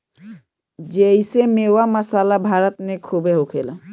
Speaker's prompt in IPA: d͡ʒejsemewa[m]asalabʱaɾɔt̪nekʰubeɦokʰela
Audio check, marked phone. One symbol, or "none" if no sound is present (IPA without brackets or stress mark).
m